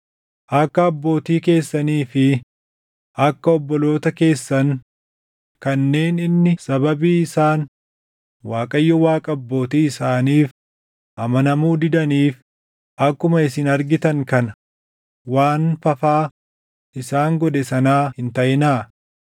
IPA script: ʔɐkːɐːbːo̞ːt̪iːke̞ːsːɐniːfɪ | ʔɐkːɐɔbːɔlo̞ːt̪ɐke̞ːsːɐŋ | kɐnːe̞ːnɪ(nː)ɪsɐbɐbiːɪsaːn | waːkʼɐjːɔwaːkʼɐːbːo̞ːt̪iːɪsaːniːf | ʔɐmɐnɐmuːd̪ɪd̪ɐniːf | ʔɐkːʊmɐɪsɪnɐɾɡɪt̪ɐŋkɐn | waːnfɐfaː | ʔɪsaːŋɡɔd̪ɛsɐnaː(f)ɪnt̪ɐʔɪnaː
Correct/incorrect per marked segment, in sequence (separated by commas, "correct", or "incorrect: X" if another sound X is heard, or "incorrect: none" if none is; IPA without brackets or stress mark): correct, incorrect: h